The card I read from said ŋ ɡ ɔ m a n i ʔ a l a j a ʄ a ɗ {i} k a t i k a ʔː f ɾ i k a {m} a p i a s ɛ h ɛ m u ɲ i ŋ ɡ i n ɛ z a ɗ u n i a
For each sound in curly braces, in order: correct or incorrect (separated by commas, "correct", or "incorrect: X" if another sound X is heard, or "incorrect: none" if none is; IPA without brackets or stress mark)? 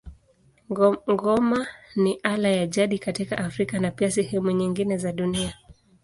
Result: correct, incorrect: n